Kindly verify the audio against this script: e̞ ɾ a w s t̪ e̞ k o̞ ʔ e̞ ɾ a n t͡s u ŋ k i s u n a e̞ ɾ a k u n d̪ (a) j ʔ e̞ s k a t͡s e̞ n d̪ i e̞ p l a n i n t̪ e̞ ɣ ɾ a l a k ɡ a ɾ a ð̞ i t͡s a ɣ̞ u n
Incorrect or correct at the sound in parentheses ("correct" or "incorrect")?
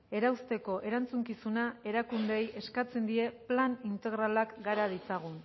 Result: incorrect